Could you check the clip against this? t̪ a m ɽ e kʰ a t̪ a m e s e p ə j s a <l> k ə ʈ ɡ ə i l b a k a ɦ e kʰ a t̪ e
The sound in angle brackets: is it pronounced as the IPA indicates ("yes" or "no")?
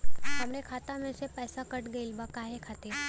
no